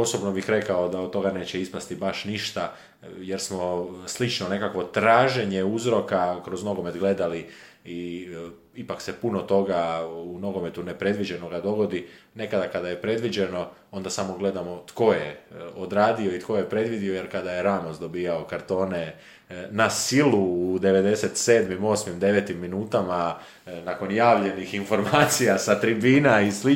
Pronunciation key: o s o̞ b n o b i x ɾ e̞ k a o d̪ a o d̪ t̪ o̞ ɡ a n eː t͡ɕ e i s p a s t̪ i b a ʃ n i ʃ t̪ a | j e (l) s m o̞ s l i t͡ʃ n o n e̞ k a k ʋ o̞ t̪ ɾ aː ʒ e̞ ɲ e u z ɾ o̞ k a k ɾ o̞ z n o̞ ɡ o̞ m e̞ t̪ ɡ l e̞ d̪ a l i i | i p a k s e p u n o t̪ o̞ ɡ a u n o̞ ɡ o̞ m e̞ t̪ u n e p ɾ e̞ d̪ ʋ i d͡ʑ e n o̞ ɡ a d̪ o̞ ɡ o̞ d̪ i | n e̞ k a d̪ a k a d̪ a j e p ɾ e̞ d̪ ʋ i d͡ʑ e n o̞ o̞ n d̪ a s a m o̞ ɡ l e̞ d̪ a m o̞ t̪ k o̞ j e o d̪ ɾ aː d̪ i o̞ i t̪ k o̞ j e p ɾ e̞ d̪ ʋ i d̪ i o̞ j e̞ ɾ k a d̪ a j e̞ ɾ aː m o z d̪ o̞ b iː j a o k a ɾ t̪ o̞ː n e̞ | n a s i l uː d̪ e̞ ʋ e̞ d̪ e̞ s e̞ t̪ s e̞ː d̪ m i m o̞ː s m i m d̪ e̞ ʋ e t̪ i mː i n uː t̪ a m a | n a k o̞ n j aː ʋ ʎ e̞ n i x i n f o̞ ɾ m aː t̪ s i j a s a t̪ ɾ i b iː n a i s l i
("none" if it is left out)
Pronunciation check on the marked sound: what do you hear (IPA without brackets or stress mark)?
ɾ